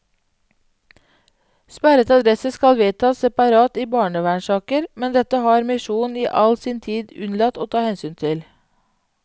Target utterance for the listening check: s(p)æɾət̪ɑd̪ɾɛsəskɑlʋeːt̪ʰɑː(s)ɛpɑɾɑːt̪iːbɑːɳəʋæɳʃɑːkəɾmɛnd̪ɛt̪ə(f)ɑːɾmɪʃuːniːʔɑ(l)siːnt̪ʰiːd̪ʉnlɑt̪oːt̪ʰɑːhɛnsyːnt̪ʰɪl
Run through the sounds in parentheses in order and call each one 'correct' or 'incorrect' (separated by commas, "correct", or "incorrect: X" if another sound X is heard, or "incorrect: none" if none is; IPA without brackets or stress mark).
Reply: correct, correct, incorrect: h, correct